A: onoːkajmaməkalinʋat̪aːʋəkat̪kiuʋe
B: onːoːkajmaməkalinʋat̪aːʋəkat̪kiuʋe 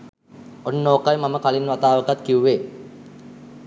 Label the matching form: B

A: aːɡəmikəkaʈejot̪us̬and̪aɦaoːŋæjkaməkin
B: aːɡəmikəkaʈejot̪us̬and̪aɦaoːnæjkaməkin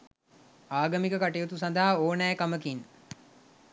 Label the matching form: B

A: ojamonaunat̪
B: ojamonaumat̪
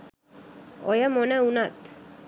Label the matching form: A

